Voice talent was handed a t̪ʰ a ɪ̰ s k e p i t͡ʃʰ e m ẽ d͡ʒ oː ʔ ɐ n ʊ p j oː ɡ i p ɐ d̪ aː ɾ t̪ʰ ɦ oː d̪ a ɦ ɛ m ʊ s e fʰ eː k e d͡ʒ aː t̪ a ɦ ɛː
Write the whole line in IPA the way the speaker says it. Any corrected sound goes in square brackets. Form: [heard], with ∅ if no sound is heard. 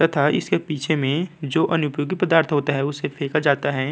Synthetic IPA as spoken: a t̪ʰ a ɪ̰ s k e p [iː] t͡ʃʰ e m ẽ d͡ʒ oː ʔ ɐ n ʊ p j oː ɡ i p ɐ d̪ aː ɾ t̪ʰ ɦ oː [t̪] a ɦ ɛ [∅] ʊ s e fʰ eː k [a] d͡ʒ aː t̪ a ɦ ɛː